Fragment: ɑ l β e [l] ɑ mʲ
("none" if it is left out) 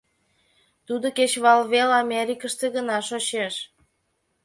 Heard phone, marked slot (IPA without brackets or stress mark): l